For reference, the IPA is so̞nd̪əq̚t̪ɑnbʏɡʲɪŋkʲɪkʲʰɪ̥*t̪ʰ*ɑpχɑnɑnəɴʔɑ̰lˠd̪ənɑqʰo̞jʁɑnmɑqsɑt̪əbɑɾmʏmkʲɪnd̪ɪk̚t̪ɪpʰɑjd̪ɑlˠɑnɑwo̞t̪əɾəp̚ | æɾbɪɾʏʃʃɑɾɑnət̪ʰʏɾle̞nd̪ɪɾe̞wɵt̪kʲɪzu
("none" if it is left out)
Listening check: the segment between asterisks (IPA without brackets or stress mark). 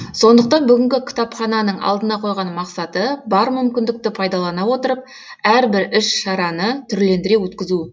t̪